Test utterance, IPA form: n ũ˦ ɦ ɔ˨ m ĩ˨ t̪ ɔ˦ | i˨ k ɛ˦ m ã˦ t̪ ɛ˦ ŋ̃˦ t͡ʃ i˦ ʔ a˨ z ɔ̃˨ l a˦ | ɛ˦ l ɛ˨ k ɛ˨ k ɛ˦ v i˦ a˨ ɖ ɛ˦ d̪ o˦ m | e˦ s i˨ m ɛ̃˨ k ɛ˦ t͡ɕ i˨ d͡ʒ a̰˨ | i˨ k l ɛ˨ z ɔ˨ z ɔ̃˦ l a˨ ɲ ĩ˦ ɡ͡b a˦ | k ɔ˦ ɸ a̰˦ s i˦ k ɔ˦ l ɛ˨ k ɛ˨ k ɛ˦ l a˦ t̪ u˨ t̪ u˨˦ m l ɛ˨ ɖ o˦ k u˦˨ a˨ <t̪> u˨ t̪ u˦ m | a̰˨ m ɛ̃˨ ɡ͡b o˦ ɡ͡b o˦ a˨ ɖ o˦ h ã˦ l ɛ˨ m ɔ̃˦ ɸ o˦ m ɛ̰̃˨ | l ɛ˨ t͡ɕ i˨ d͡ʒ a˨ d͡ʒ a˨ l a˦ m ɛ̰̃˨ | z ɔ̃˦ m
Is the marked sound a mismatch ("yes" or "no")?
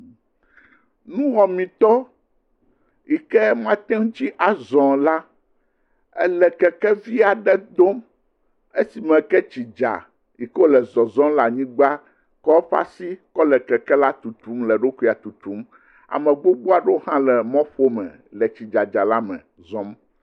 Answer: no